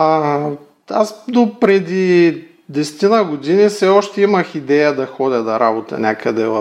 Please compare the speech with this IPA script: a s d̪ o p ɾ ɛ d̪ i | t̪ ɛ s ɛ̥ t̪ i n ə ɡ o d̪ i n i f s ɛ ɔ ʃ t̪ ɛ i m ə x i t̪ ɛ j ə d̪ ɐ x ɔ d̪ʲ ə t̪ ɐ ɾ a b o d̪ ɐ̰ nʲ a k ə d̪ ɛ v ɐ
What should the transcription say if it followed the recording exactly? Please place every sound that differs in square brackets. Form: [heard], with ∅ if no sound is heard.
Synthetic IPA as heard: a s d̪ o p ɾ ɛ d̪ i | [d̪] ɛ s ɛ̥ t̪ i n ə ɡ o d̪ i n i f s ɛ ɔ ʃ t̪ ɛ i m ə x i [d̪] ɛ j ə d̪ ɐ x ɔ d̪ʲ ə [d̪] ɐ ɾ a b o [t̪] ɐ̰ nʲ a k ə d̪ ɛ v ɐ